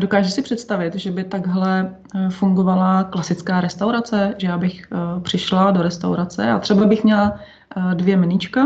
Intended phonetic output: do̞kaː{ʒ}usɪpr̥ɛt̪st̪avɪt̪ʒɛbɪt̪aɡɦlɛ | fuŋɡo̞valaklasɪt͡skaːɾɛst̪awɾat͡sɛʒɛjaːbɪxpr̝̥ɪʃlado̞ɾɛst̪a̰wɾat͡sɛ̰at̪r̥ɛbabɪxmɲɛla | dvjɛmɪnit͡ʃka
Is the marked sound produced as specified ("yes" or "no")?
yes